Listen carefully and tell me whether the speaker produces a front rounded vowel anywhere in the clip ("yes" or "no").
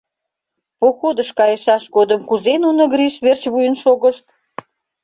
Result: no